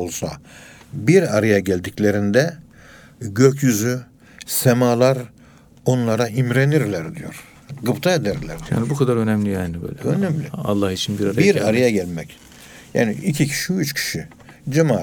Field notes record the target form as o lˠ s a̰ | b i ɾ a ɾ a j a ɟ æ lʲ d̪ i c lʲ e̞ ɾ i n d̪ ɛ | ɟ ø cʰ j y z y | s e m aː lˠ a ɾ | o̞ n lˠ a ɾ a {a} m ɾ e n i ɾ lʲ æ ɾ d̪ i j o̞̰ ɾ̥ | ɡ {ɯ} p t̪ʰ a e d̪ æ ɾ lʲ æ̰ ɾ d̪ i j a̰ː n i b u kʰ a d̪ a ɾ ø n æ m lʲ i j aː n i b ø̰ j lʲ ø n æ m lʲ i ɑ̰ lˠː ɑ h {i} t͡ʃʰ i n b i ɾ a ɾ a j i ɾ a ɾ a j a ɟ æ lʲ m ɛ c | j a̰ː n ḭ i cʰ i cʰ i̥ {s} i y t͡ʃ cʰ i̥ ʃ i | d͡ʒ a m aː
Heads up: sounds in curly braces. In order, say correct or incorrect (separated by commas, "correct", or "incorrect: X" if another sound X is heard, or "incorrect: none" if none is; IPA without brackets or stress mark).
incorrect: i, correct, correct, incorrect: ʃ